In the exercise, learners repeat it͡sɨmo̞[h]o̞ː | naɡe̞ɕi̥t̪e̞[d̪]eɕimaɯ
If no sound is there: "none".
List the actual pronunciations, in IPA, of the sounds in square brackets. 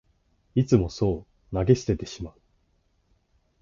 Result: s, t̪

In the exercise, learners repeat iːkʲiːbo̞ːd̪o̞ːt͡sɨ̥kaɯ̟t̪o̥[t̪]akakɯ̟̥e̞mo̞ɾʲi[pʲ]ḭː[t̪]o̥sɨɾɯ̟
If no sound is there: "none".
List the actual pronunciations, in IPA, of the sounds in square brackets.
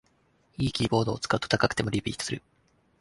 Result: t̪, pʲ, t̪

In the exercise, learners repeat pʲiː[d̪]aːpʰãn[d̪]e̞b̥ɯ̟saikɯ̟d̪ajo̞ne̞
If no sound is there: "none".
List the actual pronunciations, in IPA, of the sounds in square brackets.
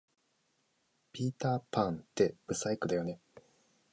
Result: t̪, t̪

